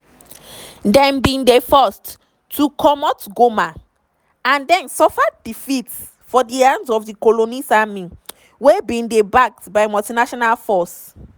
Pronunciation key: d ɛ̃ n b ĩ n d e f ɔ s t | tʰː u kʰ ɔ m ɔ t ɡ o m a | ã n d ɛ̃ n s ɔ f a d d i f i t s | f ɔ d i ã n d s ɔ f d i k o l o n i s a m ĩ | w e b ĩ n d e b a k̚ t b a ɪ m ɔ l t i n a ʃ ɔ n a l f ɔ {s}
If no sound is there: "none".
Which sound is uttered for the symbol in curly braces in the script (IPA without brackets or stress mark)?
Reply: s